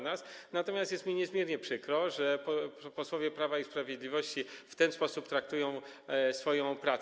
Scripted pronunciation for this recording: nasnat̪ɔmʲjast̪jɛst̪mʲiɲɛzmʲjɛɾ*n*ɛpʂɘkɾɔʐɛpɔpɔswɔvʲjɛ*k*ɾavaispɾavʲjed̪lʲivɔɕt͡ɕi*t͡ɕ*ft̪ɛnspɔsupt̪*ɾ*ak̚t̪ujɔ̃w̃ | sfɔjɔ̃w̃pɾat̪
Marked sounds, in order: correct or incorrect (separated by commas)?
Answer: incorrect, incorrect, incorrect, correct